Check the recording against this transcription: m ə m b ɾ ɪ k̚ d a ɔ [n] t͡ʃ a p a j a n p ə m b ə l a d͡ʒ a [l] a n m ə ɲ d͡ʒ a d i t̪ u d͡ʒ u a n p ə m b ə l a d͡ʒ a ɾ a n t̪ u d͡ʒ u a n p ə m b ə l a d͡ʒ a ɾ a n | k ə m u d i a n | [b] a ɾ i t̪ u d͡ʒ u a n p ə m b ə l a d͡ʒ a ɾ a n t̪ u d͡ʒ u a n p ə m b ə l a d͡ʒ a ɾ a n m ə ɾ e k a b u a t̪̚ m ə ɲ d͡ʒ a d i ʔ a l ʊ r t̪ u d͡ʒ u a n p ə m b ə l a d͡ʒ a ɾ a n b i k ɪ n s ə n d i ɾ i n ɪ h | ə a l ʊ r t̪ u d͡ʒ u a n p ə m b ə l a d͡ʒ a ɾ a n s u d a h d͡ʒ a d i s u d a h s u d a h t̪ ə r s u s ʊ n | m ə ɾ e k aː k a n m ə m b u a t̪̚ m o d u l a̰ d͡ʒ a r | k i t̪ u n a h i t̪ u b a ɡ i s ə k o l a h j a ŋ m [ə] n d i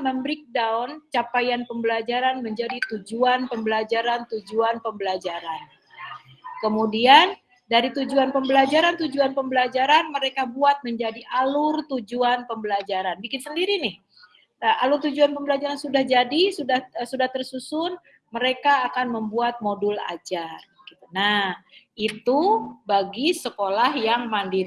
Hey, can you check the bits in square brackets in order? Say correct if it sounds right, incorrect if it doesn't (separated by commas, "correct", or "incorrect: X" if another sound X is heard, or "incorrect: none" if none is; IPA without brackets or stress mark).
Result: correct, incorrect: ɾ, incorrect: d, incorrect: a